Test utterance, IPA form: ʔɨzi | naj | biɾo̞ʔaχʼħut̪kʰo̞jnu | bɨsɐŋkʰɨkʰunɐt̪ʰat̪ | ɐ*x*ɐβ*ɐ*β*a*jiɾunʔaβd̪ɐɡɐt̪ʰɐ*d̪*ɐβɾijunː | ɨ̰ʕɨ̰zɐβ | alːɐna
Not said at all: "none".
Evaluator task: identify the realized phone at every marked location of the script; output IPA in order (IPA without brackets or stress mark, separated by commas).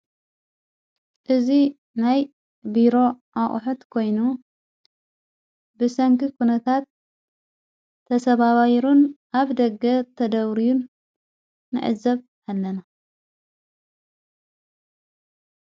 s, a, a, d̪